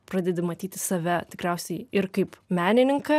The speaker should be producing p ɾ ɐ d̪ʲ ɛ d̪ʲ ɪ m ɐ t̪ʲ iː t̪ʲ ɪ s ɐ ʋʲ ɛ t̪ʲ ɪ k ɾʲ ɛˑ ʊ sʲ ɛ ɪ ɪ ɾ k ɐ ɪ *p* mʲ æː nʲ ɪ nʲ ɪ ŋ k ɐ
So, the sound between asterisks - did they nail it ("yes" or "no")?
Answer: yes